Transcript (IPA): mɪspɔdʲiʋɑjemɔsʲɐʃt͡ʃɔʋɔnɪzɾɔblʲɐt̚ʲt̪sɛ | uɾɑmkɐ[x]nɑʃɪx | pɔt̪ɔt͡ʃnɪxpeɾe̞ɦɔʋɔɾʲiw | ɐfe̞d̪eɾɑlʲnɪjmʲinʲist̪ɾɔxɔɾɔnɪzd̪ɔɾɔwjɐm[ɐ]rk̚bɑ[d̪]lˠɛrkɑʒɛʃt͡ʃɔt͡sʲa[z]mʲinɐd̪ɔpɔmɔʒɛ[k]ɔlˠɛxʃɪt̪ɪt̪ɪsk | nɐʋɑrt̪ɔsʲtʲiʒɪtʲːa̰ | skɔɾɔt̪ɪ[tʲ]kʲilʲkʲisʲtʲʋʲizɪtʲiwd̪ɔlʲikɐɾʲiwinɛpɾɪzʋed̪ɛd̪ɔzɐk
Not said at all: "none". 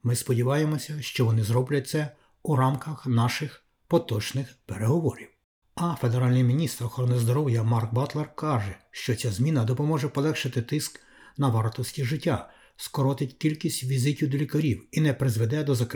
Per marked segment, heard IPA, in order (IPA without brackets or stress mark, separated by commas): x, ɑ, t̪, z, p, tʲ